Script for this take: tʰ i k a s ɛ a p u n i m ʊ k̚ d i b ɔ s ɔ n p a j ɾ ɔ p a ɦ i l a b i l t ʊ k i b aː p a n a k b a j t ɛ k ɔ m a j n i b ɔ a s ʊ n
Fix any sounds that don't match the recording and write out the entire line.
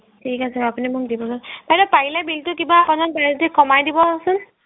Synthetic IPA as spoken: tʰ i k a s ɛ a p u n i m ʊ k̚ d i b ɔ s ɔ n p a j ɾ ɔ p a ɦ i l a b i l t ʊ k i b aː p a n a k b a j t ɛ k ɔ m a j d i b ɔ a s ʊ n